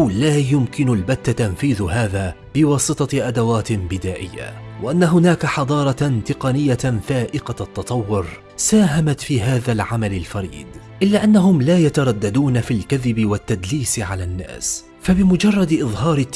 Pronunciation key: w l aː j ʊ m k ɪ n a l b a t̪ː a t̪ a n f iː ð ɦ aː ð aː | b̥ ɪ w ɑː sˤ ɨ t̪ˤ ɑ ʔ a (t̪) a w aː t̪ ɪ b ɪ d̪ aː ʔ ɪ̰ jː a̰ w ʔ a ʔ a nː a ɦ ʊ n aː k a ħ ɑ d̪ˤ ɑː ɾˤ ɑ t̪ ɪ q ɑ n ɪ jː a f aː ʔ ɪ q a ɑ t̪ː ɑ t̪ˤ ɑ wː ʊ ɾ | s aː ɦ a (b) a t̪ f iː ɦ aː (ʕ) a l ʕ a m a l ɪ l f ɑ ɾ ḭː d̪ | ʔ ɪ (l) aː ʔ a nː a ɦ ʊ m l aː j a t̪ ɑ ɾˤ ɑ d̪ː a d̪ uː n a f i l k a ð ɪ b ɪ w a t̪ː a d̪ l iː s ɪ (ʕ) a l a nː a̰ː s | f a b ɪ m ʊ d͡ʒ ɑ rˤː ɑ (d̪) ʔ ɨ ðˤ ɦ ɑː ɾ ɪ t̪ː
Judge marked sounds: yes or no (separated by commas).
no, no, no, no, yes, yes